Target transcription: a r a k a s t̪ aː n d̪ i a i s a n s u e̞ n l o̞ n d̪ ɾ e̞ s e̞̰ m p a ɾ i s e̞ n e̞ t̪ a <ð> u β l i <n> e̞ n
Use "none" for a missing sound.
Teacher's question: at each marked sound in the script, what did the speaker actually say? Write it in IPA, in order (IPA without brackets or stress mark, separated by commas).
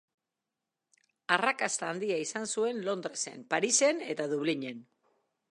ð, ɲ